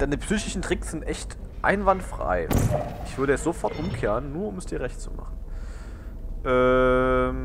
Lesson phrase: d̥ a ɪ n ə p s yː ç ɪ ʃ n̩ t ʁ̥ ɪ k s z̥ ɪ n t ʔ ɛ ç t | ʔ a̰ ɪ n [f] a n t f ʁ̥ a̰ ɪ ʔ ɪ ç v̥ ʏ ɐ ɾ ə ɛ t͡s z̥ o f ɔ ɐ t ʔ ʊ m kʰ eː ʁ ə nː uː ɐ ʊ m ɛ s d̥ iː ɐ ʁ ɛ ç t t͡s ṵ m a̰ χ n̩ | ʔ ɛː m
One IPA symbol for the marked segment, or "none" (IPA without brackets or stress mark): v